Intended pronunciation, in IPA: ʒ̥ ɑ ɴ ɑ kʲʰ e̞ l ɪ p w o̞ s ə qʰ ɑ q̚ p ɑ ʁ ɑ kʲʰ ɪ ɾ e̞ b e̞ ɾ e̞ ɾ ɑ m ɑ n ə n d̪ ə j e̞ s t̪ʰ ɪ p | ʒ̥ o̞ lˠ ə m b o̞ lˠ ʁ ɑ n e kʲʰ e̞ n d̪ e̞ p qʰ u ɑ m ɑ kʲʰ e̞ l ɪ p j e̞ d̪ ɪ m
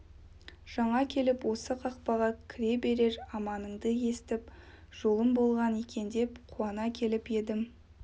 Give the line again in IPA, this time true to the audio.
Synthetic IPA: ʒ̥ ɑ ɴ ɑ kʲʰ e̞ l ɪ p w o̞ s ə qʰ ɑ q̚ p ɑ ʁ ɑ kʲʰ ɪ ɾ e̞ b e̞ ɾ e̞ ɾ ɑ m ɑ n ə ɴ d̪ ə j e̞ s t̪ ɪ p | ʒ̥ o̞ lˠ ə m b o̞ lˠ ʁ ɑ n e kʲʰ e̞ n d̪ e̞ p qʰ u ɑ n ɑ kʲʰ e̞ l ɪ p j e̞ d̪ ɪ m

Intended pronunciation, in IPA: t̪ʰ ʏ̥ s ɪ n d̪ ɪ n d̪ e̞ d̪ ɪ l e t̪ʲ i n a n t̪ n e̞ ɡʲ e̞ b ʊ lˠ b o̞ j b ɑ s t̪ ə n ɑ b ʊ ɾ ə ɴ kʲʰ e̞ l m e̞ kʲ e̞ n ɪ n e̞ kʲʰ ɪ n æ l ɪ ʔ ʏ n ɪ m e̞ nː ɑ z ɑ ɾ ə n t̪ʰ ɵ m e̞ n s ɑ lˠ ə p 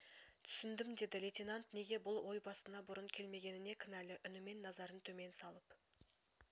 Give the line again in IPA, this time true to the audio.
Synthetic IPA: t̪ʰ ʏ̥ s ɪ n d̪ ɪ m d̪ e̞ d̪ ɪ l e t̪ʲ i n a n t̪ n e̞ ɡʲ e̞ b ʊ lˠ w o̞ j b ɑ s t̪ ə n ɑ b ʊ ɾ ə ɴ kʲʰ e̞ l m e̞ ɡʲ e̞ n ɪ n e̞ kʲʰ ɪ n æ l ɪ ʔ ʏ n ɪ m e̞ nː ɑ z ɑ ɾ ə n t̪ʰ ɵ m e̞ n s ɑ lˠ ə p

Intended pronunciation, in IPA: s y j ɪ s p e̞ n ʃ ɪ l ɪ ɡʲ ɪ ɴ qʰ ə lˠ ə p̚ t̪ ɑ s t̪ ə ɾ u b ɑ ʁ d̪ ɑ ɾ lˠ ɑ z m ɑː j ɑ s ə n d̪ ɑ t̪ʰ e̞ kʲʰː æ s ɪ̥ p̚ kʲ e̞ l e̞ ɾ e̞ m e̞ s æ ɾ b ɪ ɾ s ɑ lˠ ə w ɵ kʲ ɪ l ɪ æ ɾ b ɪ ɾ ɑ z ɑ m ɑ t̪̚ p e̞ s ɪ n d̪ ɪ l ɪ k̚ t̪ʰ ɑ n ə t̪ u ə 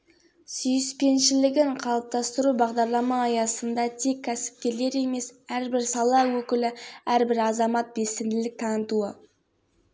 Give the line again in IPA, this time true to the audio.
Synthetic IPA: s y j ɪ s p e̞ n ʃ ɪ l ɪ ɡʲ ɪ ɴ qʰ ɑ lˠ ə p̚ t̪ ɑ s t̪ ə ɾ u b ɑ ʁ d̪ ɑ ɾ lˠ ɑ m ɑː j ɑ s ə n d̪ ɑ t̪ʰ e̞ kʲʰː æ s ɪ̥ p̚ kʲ e̞ l e̞ ɾ e̞ m e̞ s æ ɾ b ɪ ɾ s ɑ lˠ ɑ w ɵ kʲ ɪ l ɪ æ ɾ b ɪ ɾ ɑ z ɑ m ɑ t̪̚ b e̞ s ɪ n d̪ ɪ l ɪ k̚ t̪ʰ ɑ n ə t̪ u ə

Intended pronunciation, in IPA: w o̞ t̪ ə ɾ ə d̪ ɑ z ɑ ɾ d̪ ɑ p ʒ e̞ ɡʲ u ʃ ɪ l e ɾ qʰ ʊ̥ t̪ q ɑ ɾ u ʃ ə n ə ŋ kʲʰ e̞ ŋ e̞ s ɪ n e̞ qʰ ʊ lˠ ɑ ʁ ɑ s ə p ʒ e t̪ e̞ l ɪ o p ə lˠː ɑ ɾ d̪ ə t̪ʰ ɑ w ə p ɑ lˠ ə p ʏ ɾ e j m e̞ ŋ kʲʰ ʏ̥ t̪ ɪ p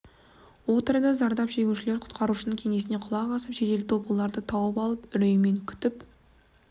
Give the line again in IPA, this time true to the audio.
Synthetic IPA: w o̞ t̪ ə ɾ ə d̪ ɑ z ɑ ɾ d̪ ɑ p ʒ e̞ ɡʲ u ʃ ɪ l e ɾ qʰ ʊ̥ t̪ q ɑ ɾ u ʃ ə n ə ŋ kʲʰ e̞ ŋ e̞ s ɪ n e̞ qʰ ʊ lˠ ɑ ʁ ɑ s ə p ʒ e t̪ e̞ l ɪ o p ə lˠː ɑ ɾ d̪ ə t̪ʰ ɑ w ə p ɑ lˠ ə p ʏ ɾ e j m e̞ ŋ kʲʰ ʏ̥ t̪ ɪ p

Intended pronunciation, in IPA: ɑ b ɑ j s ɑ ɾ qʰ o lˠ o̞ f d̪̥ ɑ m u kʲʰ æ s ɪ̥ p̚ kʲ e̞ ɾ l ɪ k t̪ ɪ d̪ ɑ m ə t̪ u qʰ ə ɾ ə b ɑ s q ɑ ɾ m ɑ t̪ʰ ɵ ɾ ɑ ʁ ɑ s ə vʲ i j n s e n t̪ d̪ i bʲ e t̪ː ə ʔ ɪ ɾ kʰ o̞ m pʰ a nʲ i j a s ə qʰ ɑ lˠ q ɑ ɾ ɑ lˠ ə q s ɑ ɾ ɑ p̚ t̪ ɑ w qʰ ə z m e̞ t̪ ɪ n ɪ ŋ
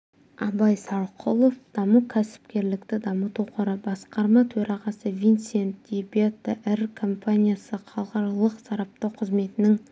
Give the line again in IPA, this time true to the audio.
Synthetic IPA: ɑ b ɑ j s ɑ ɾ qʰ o lˠ o̞ f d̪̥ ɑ m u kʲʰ æ s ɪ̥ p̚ kʲ e̞ ɾ l ɪ k t̪ ɪ d̪ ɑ m ə t̪ u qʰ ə ɾ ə b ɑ s q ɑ ɾ m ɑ t̪ʰ ɵ ɾ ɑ ʁ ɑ s ə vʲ i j n s e n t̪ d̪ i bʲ e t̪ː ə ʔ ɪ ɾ kʰ o̞ m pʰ a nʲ i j a s ə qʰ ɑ lˠ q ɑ ɾ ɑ lˠ ə q s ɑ ɾ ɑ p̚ t̪ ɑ w qʰ ə z m e̞ t̪ ɪ n ɪ ŋ

